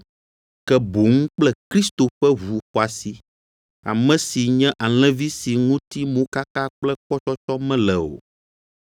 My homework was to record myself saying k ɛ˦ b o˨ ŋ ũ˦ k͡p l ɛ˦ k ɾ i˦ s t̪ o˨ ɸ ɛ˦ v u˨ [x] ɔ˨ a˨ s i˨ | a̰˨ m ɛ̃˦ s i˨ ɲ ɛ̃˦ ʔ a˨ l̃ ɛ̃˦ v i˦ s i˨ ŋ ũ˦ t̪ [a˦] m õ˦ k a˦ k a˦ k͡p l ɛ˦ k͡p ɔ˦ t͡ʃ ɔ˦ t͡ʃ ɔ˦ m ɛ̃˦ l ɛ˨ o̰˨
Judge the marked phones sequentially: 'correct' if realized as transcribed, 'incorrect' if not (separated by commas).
correct, incorrect